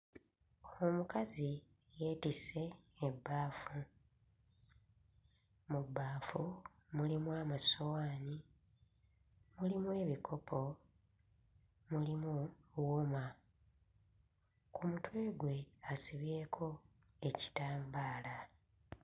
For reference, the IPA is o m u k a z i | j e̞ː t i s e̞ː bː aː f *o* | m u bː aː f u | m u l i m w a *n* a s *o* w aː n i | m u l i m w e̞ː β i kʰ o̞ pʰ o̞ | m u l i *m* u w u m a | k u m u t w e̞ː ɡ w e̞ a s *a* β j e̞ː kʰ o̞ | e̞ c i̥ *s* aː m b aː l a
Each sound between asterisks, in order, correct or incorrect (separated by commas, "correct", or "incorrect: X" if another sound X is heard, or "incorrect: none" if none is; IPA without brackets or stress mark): incorrect: u, incorrect: m, correct, correct, incorrect: i, incorrect: t